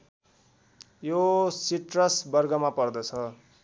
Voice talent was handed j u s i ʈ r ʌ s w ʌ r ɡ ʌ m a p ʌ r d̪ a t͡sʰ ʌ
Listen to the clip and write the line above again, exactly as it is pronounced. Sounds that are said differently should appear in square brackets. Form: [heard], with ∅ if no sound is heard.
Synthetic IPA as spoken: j [o] s i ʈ r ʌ s [b] ʌ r ɡ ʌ m a p ʌ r d̪ [ʌ] t͡sʰ ʌ